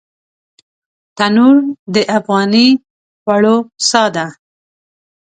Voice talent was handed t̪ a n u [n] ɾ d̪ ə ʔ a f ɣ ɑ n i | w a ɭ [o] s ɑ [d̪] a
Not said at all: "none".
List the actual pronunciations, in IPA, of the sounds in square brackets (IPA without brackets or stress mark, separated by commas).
none, o, d̪